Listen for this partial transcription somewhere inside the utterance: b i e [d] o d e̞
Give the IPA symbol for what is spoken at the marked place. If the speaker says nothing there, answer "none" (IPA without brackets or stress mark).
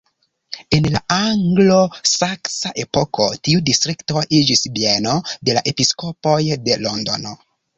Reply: n